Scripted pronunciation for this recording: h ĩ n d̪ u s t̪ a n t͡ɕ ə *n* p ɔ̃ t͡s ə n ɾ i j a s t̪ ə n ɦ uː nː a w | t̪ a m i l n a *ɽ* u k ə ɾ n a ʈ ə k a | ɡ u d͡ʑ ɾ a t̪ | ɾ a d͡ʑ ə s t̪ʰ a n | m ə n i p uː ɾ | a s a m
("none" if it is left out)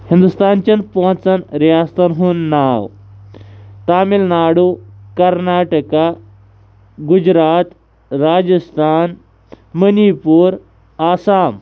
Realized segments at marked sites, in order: n, ɽ

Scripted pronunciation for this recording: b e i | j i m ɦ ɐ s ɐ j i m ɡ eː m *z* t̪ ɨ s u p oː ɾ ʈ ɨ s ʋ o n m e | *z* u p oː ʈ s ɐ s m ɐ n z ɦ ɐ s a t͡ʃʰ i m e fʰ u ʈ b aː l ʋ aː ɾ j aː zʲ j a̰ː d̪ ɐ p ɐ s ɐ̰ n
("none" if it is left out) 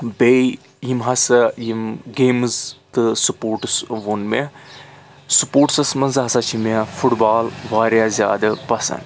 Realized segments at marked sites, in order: z, s

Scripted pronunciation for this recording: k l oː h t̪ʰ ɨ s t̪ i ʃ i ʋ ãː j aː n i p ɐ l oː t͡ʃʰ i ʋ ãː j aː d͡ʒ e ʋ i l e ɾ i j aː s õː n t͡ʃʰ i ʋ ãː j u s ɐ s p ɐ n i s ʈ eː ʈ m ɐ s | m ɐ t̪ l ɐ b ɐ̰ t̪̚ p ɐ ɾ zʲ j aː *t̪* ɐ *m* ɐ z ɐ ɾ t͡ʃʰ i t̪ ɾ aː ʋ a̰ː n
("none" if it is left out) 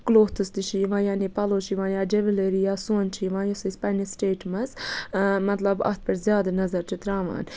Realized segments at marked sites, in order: d̪, n

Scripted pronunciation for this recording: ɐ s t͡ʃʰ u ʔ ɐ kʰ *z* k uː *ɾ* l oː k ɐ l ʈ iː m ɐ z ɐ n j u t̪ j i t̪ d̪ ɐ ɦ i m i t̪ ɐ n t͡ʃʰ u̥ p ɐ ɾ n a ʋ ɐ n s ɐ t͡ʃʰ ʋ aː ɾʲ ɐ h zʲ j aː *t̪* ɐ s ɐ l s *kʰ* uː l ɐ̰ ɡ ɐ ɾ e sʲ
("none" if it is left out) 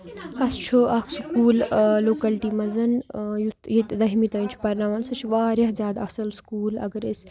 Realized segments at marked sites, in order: s, l, d̪, k

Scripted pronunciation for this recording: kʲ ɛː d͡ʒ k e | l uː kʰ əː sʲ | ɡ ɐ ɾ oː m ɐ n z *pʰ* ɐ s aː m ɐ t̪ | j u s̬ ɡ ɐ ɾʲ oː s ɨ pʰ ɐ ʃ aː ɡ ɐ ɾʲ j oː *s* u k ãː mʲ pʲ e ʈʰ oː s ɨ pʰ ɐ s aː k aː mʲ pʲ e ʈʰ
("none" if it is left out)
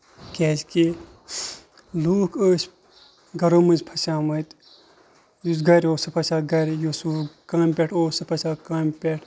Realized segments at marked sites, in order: pʰ, s

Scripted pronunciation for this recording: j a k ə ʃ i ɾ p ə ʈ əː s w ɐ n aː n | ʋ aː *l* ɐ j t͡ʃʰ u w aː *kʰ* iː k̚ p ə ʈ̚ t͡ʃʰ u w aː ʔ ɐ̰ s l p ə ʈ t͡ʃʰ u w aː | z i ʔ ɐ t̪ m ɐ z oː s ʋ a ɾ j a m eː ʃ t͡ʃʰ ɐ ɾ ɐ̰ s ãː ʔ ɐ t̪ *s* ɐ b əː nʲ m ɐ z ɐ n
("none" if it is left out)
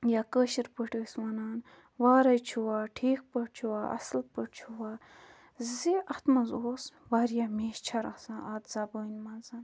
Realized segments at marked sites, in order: ɾ, ʈʰ, z

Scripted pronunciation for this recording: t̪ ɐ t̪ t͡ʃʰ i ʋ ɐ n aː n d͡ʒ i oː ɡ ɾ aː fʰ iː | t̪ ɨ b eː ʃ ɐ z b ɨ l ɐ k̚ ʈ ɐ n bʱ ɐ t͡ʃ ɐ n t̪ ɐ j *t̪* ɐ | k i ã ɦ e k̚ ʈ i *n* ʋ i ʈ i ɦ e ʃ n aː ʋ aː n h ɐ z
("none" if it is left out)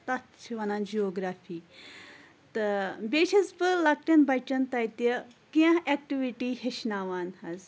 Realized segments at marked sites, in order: t̪, none

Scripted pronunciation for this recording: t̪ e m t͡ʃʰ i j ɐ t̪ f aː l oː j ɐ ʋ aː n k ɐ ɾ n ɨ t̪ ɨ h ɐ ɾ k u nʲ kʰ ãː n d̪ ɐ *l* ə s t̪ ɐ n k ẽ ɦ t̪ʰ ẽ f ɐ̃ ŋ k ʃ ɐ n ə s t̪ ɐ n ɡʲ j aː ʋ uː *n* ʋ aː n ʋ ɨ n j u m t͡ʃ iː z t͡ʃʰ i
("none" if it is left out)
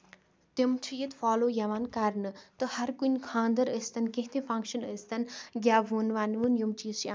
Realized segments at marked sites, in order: ɾ, n

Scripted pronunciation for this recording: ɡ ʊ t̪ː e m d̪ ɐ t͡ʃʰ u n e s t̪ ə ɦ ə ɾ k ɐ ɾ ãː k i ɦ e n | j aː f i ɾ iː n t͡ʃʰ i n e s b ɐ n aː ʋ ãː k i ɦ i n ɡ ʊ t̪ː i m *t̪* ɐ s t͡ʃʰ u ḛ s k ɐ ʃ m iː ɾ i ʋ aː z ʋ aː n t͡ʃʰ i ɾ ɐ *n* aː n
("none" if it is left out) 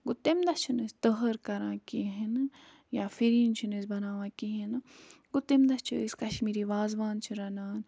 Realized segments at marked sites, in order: d̪, n

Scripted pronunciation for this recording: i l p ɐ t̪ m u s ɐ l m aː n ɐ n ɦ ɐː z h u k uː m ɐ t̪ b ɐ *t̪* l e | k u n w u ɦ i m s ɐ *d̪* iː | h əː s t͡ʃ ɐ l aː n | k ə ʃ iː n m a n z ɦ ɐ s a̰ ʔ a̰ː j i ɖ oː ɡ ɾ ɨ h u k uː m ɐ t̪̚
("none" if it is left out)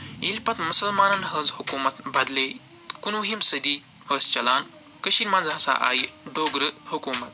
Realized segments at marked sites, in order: d̪, d̪

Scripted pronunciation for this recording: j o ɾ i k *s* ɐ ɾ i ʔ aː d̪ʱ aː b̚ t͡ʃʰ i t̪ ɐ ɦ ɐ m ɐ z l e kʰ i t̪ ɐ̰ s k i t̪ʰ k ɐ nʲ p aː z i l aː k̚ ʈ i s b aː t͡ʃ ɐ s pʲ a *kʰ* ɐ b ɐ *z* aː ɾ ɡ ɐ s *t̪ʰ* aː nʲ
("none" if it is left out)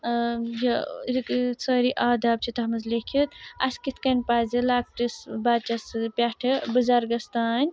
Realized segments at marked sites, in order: s, ʈʰ, z, t̪

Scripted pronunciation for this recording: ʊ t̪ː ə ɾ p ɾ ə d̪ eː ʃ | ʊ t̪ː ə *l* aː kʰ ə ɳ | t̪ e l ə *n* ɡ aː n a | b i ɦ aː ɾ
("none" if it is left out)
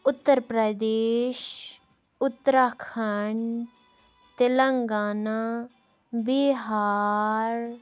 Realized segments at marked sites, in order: ɾ, ŋ

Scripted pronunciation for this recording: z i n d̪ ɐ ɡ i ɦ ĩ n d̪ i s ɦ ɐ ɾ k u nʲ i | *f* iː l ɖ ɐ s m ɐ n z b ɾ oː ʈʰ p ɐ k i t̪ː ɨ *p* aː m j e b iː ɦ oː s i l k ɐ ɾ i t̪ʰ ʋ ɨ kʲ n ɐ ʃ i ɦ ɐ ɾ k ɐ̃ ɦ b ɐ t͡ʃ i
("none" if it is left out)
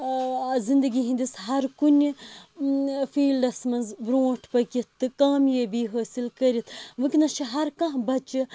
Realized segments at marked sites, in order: f, k

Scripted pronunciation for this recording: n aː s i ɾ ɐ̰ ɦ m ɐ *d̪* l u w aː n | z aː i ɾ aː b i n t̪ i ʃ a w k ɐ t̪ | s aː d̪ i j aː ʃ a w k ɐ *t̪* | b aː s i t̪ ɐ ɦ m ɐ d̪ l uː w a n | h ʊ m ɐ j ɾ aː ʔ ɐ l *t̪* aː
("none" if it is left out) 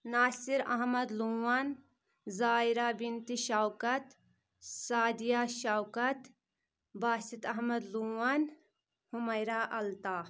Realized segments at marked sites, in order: d̪, t̪, t̪

